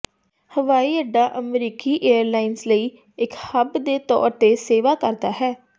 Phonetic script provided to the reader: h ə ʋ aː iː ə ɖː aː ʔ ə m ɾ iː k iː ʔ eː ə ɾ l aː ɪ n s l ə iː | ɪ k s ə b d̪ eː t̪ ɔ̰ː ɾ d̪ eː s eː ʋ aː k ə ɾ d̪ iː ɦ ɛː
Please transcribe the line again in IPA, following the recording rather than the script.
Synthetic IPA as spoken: h ə ʋ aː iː ə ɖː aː ʔ ə m ɾ iː k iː ʔ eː ə ɾ l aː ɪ n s l ə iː | ɪ k h ə b d̪ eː t̪ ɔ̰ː ɾ t̪ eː s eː ʋ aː k ə ɾ d̪ aː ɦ ɛː